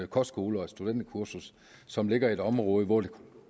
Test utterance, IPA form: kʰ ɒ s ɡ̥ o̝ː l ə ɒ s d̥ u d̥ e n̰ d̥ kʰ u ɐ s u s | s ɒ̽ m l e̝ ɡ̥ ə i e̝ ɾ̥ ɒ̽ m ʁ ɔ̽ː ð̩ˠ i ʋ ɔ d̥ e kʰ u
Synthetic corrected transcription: kʰ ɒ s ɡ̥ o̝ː l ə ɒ s d̥ u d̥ e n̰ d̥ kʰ u ɐ s u s | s ɒ̽ m l e̝ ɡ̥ ɐ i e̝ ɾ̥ ɒ̽ m ʁ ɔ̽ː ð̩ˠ i ʋ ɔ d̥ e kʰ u

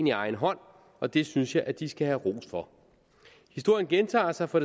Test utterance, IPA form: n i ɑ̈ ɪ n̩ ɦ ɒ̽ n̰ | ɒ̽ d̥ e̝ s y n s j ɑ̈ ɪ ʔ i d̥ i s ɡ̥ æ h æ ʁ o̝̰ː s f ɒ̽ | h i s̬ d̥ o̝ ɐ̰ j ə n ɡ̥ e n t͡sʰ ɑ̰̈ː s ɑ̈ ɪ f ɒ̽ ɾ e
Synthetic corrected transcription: n i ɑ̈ ɪ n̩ ɦ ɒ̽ n̰ | ɒ̽ d̥ e̝ s y n s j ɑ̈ ɪ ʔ æ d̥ i s ɡ̥ æ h æ ʁ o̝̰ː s f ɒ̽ | h i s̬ d̥ o̝ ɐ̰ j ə n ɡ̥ e n t͡sʰ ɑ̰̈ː s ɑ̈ ɪ f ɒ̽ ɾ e

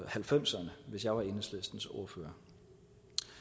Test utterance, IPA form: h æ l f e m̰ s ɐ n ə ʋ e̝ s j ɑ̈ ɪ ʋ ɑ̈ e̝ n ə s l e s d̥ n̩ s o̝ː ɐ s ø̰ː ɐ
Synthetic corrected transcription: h æ l f e m̰ s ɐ n ə ʋ e̝ s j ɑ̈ ɪ ʋ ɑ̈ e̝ n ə s l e s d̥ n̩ s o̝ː ɐ f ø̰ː ɐ

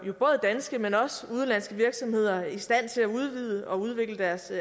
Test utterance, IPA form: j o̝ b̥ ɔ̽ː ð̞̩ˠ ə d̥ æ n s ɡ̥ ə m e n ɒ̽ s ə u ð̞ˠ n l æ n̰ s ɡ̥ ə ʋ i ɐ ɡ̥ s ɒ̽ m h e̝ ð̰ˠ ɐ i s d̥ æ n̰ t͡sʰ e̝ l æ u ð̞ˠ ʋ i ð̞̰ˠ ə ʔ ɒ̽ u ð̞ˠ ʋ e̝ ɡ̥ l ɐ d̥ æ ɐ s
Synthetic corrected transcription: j o̝ b̥ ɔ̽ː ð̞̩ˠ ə d̥ æ n s ɡ̥ ə m e n ɒ̽ s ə u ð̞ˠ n l æ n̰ s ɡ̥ ə ʋ i ɐ ɡ̥ s ɒ̽ m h e̝ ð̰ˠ ɐ i s d̥ æ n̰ t͡sʰ e̝ l æ u ð̞ˠ ʋ i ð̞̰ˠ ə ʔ ɒ̽ u ð̞ˠ ʋ e̝ ɡ̥ l ə d̥ æ ɐ s

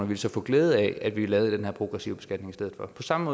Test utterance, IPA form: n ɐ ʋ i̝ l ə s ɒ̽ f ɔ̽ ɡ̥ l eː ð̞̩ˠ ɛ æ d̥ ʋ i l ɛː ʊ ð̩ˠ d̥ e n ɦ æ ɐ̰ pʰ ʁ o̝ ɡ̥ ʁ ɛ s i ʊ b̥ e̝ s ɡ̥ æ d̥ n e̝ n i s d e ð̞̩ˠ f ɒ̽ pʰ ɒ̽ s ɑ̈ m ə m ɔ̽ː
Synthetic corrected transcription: n ɐ ʋ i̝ l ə s ɒ̽ f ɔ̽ ɡ̥ l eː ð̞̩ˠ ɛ æ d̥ ʋ i l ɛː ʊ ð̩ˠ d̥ e n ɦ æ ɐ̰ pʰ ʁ o̝ ɡ̥ ʁ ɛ s i ʊ b̥ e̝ s ɡ̥ æ d̥ n e̝ ŋ i s d e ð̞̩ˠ f ɒ̽ pʰ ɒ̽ s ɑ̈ m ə m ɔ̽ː

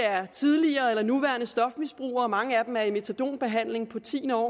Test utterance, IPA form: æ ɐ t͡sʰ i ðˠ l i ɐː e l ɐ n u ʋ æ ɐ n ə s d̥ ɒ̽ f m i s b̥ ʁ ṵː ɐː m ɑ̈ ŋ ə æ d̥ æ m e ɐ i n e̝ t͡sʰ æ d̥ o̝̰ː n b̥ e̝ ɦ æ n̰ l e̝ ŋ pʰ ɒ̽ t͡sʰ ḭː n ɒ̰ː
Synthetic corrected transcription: æ ɐ t͡sʰ i ðˠ l i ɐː e l ɐ n u ʋ æ ɐ n ə s d̥ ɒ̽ f m i s b̥ ʁ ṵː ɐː m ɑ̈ ŋ ə æ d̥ e m æ ɐ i m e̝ t͡sʰ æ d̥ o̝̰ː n b̥ e̝ ɦ æ n̰ l e̝ ŋ pʰ ɒ̽ t͡sʰ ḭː n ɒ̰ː

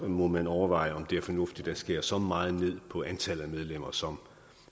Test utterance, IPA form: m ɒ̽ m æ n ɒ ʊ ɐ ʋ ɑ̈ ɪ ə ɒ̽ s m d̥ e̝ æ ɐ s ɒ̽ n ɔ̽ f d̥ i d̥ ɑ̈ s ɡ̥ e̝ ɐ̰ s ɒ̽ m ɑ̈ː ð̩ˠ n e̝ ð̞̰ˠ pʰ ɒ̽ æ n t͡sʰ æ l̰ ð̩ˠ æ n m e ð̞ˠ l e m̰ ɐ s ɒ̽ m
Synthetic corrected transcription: m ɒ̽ m æ n ɒ ʊ ɐ ʋ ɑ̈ ɪ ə ɒ̽ m d̥ e̝ æ ɐ f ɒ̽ n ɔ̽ f d̥ i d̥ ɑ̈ s ɡ̥ e̝ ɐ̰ s ɒ̽ m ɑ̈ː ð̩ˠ n e̝ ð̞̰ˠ pʰ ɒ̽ æ n t͡sʰ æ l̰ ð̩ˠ æ m e ð̞ˠ l e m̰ ɐ s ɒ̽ m

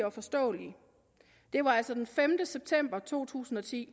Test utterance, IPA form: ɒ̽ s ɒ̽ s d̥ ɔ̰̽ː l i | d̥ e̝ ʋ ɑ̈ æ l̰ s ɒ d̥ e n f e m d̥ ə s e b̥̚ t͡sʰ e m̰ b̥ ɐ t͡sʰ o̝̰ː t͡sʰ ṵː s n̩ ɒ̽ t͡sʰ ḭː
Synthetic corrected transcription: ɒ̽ f ɒ̽ s d̥ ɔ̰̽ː l i | d̥ e̝ ʋ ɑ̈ æ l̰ s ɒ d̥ e n f e m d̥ ə s e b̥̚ t͡sʰ e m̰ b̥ ɐ t͡sʰ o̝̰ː t͡sʰ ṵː s n̩ ɒ̽ t͡sʰ ḭː

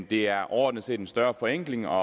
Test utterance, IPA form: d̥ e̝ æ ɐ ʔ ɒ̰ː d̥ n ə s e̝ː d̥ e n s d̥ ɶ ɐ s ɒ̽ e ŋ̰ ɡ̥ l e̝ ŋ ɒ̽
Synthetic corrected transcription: d̥ e̝ æ ɐ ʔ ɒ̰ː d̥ n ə s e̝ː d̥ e n s d̥ ɶ ɐ f ɒ̽ e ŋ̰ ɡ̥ l e̝ ŋ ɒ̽

